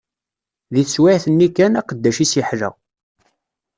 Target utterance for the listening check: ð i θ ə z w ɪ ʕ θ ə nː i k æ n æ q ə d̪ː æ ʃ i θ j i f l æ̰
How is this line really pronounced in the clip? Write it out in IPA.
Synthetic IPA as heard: ð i θ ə s w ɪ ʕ θ ə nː i k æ n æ q ə d̪ː æ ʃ i s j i ħ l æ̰